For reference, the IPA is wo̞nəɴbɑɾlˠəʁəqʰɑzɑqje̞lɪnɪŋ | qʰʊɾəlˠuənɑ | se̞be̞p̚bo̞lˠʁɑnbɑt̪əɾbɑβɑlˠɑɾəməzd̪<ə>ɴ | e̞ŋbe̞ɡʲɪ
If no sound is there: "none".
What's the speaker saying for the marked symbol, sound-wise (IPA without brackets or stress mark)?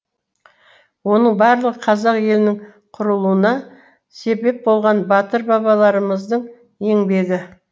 ə